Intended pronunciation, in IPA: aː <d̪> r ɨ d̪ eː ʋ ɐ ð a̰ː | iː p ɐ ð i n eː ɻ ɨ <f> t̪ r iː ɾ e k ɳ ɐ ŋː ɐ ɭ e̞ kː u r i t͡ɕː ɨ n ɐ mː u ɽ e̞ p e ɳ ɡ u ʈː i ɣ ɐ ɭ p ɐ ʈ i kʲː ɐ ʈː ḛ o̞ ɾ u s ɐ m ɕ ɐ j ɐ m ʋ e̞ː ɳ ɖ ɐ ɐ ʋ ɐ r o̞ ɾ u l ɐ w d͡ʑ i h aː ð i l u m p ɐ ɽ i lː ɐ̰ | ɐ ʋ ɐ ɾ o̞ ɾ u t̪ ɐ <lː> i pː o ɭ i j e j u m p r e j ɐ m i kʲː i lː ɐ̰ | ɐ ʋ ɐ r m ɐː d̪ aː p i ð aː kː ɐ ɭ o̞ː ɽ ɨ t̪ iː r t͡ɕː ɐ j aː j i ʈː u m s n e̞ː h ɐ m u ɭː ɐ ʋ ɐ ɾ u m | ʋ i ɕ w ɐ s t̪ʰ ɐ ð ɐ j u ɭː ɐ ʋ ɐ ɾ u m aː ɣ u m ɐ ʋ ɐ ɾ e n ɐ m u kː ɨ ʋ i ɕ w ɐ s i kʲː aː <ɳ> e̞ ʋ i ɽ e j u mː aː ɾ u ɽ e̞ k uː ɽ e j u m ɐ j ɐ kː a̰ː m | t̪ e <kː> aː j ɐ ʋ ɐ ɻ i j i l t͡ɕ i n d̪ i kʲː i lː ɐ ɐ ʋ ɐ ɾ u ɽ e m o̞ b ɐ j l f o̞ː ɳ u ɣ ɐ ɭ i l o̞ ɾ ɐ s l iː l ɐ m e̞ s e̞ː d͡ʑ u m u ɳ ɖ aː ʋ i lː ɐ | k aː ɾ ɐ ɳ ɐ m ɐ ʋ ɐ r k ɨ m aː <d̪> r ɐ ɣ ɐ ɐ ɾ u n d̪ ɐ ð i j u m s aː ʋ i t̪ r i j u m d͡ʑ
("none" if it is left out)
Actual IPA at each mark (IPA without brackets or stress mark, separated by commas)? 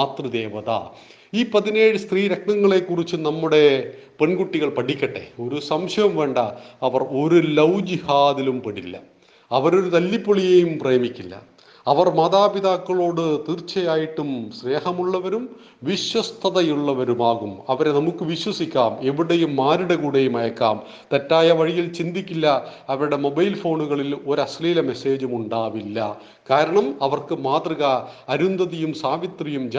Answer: t̪, s, lː, m, tː, t̪